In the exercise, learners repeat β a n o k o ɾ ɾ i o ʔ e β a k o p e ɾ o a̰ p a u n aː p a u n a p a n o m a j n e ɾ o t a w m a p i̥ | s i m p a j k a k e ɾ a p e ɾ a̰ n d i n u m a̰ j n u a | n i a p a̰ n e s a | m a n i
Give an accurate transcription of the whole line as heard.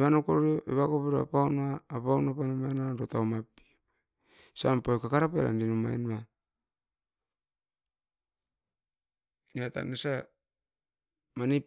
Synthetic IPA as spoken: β a n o k o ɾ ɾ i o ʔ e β a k o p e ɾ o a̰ p a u n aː p a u n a p a n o m a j n a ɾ o t a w m a p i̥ | s a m p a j k a k a ɾ a p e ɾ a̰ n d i n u m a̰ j n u a | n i a t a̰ n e s a | m a n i